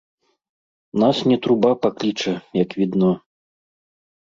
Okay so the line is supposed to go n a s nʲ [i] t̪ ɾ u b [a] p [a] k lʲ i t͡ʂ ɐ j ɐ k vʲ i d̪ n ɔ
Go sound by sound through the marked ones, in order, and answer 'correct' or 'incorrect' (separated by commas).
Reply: incorrect, correct, correct